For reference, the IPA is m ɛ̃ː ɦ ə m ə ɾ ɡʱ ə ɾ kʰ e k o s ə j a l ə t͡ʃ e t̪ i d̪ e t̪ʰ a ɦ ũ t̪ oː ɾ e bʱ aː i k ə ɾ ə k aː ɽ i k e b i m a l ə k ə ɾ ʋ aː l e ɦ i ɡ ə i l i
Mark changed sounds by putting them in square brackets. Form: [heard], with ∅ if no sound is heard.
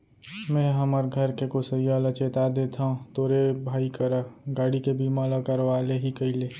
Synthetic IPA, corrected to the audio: m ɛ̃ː ɦ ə m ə ɾ ɡʱ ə ɾ [k] e k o s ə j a l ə t͡ʃ e t̪ [a] d̪ e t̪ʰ a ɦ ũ t̪ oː ɾ e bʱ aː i k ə ɾ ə [ɡ] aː ɽ i k e b i m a l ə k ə ɾ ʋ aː l e ɦ i [k] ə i l [e]